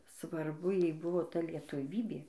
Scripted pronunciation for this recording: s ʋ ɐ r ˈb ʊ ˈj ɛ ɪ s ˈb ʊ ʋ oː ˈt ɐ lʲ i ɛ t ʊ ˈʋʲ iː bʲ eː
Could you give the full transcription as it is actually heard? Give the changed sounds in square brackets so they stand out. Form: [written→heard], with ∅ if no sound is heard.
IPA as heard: s ʋ ɐ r ˈb ʊ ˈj ɛ ɪ [s→∅] ˈb ʊ ʋ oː ˈt ɐ lʲ i ɛ t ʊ ˈʋʲ iː bʲ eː